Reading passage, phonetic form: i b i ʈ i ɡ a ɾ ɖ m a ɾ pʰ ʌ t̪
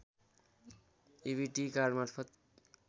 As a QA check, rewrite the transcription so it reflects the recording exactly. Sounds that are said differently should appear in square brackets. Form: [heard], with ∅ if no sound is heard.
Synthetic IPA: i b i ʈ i [k] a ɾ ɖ m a ɾ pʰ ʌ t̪